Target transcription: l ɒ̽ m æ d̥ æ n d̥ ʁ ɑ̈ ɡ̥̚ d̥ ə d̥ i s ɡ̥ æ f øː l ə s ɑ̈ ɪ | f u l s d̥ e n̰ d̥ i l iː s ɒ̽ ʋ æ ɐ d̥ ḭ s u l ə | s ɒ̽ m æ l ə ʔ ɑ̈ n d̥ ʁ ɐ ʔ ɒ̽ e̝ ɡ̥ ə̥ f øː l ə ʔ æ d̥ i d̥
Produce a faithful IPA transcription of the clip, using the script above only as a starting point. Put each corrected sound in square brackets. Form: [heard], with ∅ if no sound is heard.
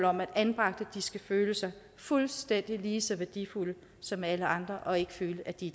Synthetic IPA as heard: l ɒ̽ m æ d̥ æ n [b̥] ʁ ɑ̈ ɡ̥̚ d̥ ə d̥ i s ɡ̥ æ f øː l ə s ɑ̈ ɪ | f u l s d̥ e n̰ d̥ i l iː s ɒ̽ ʋ æ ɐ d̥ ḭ [f] u l ə | s ɒ̽ m æ l ə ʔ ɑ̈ n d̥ ʁ ɐ ʔ ɒ̽ e̝ ɡ̥ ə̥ f øː l ə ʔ æ d̥ i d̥